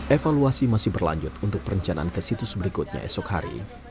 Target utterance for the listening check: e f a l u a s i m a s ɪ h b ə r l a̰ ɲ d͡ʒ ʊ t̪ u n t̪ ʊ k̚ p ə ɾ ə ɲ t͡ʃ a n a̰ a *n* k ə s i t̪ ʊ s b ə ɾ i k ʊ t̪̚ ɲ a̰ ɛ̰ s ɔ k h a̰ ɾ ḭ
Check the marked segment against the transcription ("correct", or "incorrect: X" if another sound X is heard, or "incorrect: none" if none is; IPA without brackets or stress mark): correct